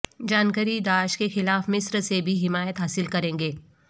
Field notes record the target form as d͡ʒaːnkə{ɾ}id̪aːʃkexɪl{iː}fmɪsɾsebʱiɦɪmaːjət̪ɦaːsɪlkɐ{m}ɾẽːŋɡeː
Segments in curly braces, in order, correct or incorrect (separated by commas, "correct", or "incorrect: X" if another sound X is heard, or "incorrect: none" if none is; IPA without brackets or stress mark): correct, incorrect: aː, incorrect: none